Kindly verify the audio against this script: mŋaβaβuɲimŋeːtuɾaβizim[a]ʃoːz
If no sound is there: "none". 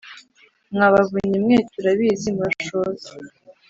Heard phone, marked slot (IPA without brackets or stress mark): a